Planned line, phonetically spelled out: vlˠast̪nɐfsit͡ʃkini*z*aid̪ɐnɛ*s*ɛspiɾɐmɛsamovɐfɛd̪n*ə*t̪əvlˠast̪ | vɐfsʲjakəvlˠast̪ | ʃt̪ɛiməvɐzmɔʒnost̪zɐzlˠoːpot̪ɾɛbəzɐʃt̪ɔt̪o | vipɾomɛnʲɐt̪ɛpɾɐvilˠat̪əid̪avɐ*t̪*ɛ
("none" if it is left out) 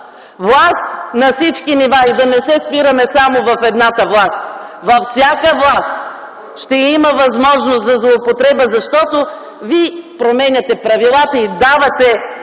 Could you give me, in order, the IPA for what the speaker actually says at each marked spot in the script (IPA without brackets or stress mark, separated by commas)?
v, s, a, t̪